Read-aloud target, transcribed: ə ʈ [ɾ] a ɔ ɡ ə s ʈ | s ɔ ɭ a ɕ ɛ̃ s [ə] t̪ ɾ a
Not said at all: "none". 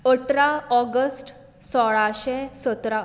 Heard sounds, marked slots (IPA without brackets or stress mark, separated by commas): ɾ, ə